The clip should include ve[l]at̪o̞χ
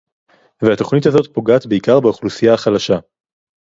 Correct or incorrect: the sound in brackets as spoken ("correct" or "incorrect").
incorrect